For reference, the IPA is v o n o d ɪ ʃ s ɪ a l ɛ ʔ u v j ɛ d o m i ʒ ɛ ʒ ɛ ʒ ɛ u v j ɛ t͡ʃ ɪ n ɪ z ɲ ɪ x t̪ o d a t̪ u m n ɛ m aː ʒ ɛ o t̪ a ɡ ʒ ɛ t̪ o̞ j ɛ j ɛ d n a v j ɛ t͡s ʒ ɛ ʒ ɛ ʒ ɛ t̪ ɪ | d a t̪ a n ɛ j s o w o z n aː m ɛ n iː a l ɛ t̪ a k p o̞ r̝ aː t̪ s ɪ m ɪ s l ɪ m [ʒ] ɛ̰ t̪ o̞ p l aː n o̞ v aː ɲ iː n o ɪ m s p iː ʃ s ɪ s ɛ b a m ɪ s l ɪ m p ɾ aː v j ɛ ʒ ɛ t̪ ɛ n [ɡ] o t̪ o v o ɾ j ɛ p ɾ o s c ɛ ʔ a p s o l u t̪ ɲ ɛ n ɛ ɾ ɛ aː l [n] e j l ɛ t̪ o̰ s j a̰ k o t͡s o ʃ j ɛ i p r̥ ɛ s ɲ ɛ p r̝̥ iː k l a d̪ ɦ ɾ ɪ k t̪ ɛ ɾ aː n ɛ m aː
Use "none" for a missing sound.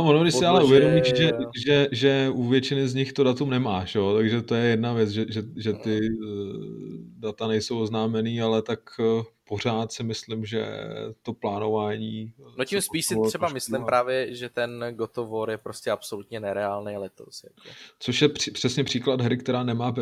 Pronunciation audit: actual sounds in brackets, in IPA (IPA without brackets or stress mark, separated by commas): ʒ, ɡ, n